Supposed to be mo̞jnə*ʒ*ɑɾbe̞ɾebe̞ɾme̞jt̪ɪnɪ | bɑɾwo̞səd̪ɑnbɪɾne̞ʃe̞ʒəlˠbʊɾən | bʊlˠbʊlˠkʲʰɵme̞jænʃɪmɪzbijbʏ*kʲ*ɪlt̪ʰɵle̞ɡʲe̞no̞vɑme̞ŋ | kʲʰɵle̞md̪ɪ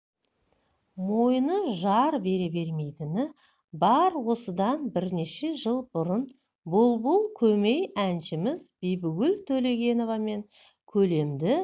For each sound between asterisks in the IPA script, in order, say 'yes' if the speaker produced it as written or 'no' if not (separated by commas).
yes, no